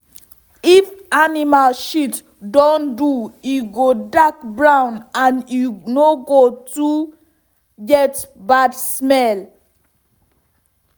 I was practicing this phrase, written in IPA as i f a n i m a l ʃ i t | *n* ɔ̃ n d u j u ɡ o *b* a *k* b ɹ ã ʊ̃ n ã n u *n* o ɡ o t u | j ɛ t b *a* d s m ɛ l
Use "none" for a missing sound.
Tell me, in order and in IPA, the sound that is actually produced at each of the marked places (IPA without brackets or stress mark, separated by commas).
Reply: d, d, k, n, a